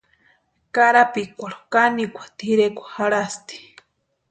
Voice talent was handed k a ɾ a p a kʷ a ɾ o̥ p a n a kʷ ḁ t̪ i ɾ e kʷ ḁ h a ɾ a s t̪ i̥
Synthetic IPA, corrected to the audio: k a ɾ a p i kʷ a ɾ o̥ k a n i kʷ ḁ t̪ i ɾ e kʷ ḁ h a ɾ a s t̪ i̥

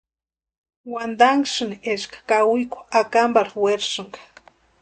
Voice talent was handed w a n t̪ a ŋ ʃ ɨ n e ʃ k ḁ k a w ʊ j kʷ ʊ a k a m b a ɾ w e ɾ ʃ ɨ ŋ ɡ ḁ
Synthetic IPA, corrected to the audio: w a n d̪ a ŋ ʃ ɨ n e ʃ k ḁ k a w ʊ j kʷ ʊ a k a m b a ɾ w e ɾ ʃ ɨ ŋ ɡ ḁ

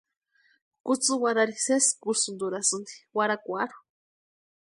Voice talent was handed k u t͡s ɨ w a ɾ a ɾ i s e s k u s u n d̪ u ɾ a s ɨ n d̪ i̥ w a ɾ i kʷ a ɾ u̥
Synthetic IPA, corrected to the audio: k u t͡s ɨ w a ɾ a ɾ i s e s k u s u n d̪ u ɾ a s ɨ n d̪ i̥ w a ɾ a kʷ a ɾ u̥

